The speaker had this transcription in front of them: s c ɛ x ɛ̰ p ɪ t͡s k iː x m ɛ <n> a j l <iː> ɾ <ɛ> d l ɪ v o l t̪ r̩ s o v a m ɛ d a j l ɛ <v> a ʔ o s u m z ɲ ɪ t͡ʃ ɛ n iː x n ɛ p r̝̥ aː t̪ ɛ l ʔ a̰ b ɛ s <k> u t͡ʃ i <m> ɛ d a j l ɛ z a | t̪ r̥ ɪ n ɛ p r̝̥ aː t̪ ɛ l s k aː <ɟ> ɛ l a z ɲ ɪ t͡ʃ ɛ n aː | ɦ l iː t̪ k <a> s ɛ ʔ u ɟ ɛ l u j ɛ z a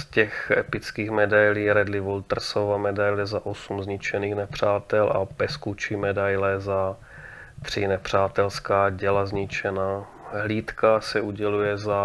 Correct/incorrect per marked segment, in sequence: incorrect, correct, correct, incorrect, correct, correct, correct, correct

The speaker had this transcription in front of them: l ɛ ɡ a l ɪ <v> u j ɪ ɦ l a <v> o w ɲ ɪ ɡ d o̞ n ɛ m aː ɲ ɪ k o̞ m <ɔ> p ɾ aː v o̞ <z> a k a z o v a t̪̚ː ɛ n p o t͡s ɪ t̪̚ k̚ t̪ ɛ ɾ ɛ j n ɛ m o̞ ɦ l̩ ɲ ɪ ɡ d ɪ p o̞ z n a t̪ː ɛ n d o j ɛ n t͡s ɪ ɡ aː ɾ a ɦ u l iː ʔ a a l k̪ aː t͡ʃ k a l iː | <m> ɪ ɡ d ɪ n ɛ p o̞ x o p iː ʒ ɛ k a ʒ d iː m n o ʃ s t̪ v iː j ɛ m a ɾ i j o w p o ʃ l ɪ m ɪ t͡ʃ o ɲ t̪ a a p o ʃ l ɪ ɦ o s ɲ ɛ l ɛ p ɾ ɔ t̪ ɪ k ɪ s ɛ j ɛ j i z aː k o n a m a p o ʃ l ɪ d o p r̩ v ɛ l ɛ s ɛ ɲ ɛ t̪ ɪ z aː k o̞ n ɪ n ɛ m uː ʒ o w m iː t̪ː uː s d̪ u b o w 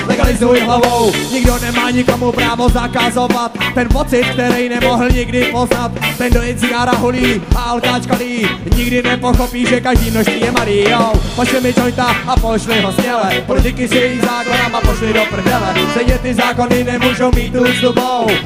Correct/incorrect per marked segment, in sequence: incorrect, correct, incorrect, correct, incorrect

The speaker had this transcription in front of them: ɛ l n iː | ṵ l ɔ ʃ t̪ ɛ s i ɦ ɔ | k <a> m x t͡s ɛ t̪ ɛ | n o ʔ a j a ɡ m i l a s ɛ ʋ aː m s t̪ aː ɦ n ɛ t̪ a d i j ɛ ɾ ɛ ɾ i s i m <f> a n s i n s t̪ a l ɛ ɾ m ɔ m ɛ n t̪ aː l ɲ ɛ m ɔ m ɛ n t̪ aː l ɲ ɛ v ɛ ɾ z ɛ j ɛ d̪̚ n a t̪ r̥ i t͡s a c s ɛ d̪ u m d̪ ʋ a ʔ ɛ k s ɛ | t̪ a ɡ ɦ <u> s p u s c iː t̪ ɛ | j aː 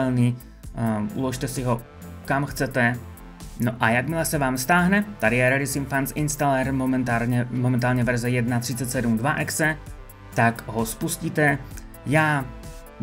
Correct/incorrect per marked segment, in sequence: correct, correct, incorrect

